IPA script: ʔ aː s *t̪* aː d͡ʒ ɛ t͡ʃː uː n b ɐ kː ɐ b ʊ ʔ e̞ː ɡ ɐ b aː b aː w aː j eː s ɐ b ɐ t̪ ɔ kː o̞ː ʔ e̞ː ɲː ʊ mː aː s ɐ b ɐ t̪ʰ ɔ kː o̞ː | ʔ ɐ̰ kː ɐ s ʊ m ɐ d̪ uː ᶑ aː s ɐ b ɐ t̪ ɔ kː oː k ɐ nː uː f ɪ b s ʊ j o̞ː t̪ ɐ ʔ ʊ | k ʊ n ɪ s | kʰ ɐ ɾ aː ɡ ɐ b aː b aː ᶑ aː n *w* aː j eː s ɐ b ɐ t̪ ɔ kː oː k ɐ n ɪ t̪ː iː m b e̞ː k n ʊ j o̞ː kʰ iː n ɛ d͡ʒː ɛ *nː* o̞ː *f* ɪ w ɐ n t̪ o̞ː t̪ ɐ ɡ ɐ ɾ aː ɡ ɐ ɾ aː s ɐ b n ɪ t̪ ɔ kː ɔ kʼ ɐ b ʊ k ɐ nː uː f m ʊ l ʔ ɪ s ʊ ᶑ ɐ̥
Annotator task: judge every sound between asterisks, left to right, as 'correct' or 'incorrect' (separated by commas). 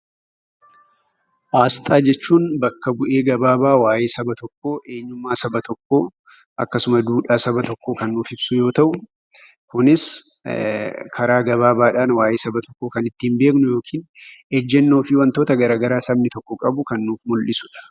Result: incorrect, correct, correct, correct